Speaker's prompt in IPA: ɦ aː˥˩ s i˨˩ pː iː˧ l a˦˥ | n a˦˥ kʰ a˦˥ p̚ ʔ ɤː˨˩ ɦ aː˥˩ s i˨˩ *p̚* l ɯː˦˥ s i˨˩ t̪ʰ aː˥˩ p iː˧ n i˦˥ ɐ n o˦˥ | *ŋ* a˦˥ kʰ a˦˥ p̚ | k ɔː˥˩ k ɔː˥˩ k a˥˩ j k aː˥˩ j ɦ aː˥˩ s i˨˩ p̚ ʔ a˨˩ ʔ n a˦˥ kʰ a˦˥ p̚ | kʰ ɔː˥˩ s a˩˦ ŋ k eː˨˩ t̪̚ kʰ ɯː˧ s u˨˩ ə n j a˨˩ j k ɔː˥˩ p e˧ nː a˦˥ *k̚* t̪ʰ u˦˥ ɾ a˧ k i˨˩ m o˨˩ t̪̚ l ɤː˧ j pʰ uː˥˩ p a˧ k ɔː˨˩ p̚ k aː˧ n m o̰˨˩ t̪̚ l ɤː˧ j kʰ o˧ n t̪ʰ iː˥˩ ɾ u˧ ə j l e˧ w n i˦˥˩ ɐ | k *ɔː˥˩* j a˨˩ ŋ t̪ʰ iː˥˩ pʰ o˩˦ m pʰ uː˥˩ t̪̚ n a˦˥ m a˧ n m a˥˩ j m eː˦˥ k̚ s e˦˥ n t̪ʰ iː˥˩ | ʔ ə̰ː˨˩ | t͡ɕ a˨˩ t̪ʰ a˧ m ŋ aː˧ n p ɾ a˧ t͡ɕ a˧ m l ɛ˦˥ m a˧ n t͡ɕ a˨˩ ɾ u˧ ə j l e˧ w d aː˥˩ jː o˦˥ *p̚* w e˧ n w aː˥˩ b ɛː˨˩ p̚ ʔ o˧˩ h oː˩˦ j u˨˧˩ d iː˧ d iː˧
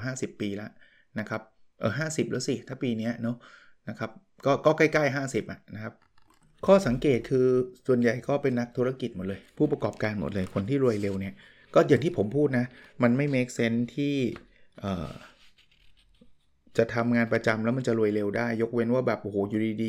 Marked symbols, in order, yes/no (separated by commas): yes, no, yes, yes, no